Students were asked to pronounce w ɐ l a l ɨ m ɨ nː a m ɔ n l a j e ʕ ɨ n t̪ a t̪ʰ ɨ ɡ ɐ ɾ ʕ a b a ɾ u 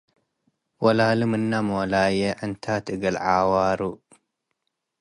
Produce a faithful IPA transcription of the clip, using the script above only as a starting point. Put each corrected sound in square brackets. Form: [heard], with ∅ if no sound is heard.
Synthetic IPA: w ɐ l a l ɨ m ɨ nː a m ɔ [∅] l a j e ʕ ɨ n [t̪ʰ] a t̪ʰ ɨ ɡ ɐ [l] ʕ a [w] a ɾ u